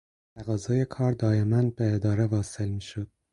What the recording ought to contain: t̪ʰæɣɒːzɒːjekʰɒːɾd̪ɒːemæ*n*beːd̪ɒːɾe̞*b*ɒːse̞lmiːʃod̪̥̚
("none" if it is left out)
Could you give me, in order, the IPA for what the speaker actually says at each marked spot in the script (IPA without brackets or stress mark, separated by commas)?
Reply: n, v